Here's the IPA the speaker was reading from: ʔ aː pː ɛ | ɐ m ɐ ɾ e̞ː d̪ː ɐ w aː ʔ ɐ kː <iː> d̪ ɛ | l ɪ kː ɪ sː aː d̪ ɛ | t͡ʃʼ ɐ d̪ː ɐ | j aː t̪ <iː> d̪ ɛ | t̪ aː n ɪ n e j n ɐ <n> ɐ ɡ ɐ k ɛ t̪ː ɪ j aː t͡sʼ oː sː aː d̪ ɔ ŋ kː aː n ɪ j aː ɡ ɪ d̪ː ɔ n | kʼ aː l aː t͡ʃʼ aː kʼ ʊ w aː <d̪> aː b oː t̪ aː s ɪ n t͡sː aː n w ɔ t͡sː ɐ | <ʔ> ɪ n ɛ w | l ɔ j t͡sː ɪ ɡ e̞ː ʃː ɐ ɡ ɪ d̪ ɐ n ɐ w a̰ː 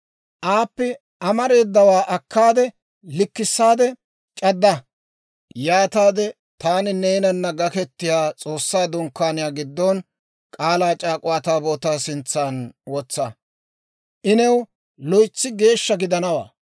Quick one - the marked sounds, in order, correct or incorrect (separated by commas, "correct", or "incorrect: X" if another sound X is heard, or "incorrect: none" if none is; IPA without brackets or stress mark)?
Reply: incorrect: aː, incorrect: aː, incorrect: nː, incorrect: t̪, correct